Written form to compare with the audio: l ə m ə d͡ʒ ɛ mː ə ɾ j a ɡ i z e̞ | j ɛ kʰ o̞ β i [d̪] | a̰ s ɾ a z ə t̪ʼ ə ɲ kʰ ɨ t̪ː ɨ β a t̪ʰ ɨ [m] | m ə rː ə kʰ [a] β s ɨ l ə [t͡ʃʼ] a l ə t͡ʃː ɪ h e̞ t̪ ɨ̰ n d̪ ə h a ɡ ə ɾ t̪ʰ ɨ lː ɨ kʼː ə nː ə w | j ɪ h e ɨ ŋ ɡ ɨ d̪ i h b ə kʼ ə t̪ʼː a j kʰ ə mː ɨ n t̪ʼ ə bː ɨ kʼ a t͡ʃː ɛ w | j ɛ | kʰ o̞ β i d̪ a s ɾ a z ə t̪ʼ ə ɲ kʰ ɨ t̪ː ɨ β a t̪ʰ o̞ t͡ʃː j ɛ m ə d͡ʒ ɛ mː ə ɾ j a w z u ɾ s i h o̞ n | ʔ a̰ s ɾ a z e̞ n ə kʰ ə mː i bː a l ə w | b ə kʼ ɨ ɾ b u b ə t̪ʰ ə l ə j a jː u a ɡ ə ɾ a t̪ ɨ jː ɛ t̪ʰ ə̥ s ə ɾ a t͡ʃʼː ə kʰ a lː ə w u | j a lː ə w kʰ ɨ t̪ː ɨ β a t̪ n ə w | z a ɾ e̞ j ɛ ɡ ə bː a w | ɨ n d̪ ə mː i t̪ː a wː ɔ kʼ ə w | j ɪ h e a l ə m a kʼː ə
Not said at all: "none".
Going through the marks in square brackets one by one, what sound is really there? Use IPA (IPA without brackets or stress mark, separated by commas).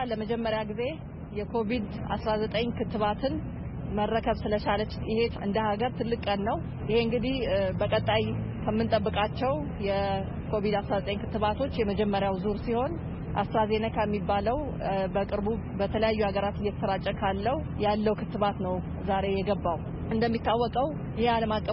d̪, n, ə, t͡ʃ